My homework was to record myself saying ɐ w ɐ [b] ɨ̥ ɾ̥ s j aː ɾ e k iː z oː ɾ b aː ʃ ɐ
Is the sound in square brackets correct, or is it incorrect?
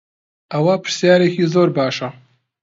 incorrect